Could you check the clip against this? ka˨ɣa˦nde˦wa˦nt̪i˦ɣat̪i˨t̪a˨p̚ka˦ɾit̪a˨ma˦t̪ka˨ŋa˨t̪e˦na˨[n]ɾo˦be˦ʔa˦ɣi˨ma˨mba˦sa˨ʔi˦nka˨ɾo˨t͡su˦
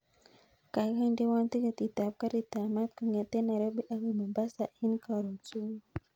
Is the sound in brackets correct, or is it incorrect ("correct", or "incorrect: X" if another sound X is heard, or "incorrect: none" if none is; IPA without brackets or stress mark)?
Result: incorrect: none